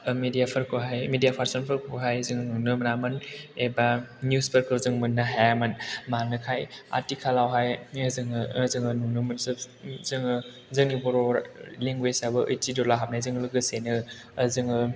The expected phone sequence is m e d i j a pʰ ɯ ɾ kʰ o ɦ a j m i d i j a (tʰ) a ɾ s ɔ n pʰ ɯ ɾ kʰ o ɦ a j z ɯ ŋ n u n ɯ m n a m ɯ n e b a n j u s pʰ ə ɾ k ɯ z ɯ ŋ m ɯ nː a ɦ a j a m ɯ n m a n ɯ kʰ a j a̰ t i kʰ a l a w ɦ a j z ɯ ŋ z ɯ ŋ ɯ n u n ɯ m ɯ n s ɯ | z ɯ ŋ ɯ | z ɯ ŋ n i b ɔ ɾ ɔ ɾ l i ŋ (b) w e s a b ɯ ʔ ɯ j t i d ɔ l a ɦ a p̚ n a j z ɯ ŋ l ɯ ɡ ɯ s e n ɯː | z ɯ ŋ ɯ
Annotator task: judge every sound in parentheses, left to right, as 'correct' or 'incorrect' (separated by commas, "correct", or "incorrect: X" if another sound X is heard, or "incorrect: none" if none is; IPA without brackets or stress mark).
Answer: incorrect: pʰ, incorrect: ɡ